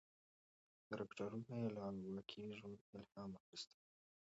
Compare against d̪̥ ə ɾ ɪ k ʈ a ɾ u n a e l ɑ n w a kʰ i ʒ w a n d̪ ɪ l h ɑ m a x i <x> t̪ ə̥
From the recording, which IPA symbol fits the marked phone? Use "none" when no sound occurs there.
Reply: s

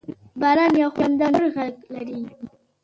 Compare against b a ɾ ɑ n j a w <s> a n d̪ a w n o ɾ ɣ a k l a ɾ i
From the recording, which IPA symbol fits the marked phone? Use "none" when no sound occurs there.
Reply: x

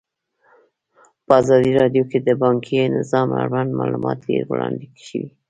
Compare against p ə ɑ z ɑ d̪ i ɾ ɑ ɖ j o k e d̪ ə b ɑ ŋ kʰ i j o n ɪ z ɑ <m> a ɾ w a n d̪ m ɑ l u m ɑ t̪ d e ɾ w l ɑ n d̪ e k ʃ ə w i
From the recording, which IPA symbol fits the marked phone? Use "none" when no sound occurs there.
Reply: m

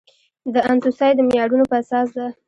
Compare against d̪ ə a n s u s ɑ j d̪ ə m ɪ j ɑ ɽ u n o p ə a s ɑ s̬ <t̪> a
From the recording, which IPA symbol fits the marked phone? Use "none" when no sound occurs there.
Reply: d̪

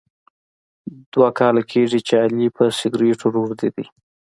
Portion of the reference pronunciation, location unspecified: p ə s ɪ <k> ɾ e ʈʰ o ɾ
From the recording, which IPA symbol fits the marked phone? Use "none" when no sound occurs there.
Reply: ɡ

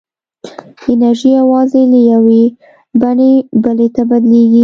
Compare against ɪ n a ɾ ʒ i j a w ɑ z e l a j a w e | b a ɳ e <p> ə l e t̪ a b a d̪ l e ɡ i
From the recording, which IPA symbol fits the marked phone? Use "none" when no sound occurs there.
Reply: b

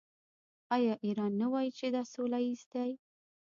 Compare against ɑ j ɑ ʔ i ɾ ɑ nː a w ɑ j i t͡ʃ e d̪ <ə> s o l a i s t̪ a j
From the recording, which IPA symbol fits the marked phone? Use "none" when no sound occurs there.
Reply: ɑ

